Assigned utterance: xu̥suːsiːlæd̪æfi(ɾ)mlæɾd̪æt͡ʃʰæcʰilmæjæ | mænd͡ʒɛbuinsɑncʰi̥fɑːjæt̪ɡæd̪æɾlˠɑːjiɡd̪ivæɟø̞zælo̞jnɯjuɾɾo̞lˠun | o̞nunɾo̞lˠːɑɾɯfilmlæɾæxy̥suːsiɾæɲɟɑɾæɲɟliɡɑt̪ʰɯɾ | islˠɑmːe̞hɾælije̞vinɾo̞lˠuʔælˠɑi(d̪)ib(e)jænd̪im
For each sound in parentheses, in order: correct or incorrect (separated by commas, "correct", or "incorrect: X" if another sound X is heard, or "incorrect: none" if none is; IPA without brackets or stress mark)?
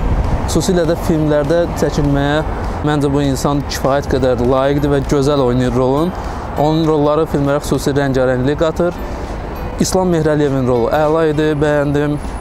incorrect: l, correct, incorrect: æ